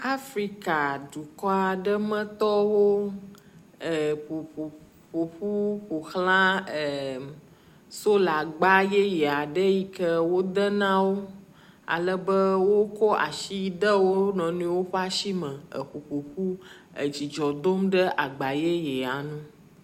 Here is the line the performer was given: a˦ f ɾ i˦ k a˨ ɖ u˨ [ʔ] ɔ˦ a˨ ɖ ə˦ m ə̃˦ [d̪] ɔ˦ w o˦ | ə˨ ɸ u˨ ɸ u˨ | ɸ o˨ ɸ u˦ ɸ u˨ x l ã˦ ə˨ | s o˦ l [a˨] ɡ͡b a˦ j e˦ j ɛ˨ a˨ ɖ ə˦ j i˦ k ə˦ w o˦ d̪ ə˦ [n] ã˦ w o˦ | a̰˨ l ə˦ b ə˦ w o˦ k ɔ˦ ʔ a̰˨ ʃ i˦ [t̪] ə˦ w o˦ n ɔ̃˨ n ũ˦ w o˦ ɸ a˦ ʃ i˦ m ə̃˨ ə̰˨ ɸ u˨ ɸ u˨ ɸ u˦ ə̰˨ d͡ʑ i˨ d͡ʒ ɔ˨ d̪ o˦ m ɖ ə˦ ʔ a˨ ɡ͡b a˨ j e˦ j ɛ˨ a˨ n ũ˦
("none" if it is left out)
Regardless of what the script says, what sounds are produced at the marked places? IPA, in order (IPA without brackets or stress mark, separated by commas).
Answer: k, t̪, a˨, n, d̪